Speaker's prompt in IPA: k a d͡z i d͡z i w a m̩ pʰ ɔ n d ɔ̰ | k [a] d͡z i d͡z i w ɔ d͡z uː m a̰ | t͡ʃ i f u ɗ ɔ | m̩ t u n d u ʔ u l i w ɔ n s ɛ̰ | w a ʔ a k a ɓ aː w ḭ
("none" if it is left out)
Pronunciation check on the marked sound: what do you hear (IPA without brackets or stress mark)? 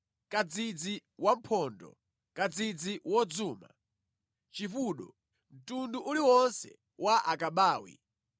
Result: a